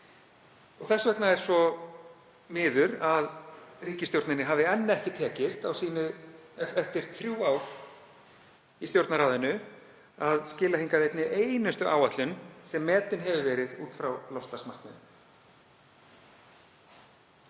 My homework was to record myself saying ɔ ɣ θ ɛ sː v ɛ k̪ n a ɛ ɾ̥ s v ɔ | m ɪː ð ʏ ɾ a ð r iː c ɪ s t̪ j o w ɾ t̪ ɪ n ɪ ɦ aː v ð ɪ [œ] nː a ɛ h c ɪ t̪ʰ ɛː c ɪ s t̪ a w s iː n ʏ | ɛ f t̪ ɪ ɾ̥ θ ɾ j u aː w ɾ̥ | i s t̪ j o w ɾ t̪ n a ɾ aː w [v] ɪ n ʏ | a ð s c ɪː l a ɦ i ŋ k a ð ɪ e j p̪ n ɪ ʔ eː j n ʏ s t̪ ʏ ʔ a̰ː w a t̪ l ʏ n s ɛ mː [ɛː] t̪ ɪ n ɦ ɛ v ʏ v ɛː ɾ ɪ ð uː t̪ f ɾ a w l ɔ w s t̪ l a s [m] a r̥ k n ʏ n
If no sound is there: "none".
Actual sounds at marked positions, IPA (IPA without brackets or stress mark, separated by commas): ɛ, ð, ɛː, m